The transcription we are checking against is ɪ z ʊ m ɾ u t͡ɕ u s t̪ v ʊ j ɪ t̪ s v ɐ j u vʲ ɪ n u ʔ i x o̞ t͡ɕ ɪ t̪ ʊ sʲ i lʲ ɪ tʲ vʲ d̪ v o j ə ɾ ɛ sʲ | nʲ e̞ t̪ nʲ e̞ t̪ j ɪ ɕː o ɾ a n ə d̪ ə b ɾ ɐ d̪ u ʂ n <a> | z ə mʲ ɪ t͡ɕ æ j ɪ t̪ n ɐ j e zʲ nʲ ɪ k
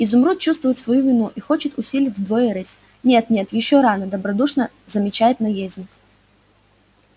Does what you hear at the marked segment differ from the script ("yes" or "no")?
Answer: yes